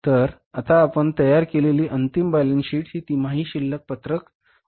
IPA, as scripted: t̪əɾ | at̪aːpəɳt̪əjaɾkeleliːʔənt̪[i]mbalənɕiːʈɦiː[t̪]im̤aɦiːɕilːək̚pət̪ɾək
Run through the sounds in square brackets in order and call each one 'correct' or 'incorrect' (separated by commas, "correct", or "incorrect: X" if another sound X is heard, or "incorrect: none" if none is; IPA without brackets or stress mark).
correct, correct